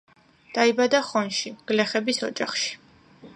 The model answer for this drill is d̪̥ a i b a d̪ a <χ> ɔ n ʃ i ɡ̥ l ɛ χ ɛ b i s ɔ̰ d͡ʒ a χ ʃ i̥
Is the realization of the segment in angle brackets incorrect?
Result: no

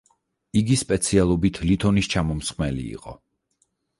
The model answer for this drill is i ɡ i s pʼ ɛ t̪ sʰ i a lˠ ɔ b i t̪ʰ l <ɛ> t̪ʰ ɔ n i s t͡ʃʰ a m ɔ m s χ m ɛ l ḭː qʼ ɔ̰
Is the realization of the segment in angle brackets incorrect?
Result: yes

